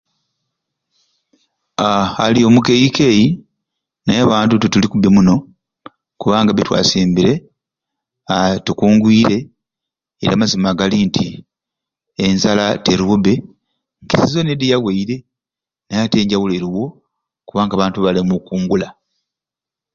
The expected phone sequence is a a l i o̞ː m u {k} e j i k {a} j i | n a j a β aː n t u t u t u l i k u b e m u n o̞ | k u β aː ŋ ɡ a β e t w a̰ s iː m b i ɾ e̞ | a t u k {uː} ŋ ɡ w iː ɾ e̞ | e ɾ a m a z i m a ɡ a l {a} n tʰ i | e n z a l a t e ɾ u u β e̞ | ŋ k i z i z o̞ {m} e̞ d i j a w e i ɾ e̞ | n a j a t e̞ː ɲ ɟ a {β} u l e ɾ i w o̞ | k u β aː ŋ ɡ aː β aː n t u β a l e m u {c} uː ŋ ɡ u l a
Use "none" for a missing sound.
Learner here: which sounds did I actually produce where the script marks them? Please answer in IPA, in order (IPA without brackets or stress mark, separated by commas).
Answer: k, e, uː, i, n, w, k